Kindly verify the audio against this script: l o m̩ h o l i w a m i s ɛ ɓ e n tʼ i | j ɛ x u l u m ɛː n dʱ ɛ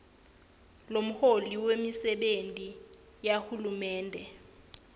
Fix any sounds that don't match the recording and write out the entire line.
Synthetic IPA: l o m̩ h o l i w e m i s ɛ ɓ e n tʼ i | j a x u l u m ɛː n dʱ ɛ